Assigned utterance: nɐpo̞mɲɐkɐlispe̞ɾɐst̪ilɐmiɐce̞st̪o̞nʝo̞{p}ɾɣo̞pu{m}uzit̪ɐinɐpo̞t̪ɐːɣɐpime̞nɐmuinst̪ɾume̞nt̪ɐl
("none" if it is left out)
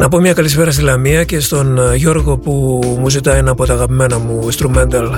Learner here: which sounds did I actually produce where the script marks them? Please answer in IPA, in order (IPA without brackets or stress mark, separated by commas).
none, m